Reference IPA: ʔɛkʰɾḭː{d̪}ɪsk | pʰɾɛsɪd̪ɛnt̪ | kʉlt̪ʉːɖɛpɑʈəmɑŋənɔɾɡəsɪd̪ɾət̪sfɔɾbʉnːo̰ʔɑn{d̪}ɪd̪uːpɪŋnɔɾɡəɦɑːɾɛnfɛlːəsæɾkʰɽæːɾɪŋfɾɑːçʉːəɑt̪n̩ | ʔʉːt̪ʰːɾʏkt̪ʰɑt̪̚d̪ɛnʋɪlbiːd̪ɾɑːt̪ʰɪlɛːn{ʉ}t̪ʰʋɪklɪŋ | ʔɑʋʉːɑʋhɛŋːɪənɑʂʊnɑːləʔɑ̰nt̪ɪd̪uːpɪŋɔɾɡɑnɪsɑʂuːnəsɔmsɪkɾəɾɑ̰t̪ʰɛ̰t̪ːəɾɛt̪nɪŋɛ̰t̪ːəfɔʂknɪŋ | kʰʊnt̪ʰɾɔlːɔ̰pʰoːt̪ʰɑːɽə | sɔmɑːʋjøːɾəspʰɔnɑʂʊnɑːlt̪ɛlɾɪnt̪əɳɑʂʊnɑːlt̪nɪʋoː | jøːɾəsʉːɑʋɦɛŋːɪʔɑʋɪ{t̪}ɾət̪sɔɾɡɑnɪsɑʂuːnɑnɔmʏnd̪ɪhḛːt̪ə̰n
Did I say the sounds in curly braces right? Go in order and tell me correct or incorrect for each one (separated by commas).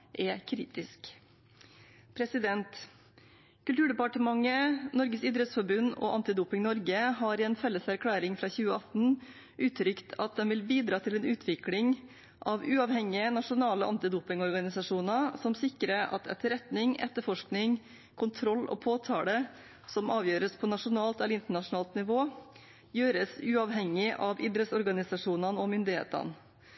incorrect, incorrect, incorrect, incorrect